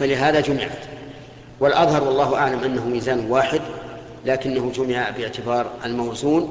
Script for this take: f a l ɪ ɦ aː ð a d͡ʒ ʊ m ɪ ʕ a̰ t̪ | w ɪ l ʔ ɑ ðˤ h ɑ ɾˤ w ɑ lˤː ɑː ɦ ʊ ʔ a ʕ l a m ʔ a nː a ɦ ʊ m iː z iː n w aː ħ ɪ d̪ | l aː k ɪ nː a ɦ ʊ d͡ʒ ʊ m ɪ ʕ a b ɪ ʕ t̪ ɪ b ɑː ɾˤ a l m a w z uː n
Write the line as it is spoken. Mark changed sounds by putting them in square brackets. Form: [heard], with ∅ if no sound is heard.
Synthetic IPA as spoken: f a l ɪ ɦ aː ð a d͡ʒ ʊ m ɪ ʕ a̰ t̪ | w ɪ l ʔ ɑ ðˤ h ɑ ɾˤ w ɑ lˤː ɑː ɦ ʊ ʔ a ʕ l a m ʔ a nː a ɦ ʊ m iː z [aː] n w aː ħ ɪ d̪ | l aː k ɪ nː a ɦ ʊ d͡ʒ ʊ m ɪ ʕ a b ɪ ʕ t̪ ɪ b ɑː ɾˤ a l m a w z uː n